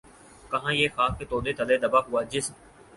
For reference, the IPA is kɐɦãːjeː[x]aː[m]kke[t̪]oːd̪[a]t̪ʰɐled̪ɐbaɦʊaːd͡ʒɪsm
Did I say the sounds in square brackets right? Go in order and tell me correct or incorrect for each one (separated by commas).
correct, incorrect, correct, incorrect